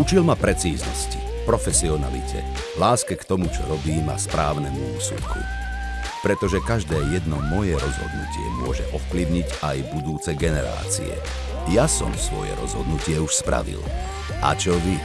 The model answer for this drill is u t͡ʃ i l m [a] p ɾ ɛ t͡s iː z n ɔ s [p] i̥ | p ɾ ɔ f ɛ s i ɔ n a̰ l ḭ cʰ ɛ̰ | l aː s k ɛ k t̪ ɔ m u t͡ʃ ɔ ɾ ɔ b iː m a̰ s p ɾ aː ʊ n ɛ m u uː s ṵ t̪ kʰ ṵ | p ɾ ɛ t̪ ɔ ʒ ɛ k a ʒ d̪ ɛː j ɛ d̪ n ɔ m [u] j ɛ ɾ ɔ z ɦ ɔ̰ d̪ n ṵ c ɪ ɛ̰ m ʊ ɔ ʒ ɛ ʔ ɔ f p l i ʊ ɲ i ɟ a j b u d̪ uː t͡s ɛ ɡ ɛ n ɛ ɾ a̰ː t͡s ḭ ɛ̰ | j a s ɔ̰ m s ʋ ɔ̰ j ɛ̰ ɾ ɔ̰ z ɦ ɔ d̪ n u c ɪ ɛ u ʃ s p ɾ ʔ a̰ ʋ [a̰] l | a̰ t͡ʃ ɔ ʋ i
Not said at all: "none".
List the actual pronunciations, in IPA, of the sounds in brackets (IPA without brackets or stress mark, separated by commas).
a, c, ɔ, ḭ